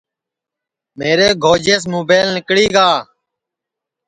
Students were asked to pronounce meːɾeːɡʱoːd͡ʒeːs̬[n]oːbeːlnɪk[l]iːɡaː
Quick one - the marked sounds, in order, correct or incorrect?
incorrect: m, incorrect: ɽ

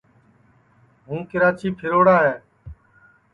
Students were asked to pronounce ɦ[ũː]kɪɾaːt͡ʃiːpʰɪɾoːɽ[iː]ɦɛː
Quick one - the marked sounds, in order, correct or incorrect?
correct, incorrect: aː

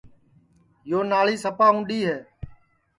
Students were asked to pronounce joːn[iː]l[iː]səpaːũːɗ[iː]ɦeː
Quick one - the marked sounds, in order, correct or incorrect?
incorrect: aː, correct, correct

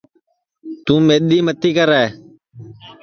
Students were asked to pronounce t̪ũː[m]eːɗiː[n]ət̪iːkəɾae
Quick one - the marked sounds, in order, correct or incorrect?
correct, incorrect: m

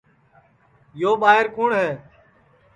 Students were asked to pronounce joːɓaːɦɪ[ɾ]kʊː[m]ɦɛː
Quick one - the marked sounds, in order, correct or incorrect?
correct, incorrect: ɳ

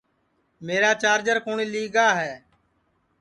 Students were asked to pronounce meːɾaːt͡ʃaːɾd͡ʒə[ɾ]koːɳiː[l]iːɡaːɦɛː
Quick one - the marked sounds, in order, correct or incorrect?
correct, correct

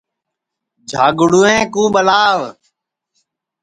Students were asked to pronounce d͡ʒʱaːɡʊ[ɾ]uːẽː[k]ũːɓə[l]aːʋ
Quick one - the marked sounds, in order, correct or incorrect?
incorrect: ɽ, correct, correct

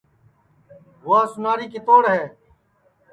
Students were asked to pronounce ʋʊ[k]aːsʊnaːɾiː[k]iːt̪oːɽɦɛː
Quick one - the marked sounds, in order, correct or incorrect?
incorrect: none, correct

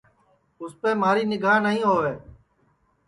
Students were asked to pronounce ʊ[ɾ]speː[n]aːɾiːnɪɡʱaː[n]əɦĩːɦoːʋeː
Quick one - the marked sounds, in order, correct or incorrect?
incorrect: none, incorrect: m, correct

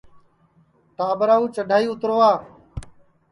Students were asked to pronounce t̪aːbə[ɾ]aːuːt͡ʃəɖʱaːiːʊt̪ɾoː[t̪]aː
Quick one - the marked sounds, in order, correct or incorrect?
correct, incorrect: none

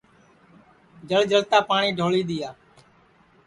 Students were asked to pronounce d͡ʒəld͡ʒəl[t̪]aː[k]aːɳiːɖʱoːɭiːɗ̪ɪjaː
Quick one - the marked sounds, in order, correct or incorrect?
correct, incorrect: p

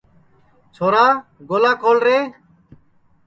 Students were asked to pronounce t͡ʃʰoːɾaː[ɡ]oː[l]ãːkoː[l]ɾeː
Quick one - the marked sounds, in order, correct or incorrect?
correct, correct, correct

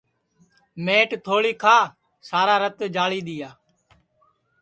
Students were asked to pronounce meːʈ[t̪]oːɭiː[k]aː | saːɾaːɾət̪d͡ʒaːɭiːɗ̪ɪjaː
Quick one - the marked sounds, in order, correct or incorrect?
incorrect: t̪ʰ, incorrect: kʰ

